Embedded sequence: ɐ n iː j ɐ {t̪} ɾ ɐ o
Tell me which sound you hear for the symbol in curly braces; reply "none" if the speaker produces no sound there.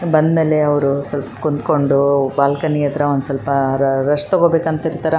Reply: t̪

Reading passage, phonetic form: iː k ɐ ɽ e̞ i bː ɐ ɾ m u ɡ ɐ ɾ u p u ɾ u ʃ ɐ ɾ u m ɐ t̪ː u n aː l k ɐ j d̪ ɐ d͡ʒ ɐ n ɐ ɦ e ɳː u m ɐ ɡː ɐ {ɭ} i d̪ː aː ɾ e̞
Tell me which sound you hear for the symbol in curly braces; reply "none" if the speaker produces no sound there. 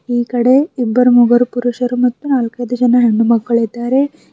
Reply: ɭ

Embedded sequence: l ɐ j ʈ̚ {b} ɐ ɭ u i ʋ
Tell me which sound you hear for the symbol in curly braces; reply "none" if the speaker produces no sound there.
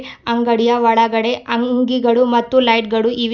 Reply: ɡ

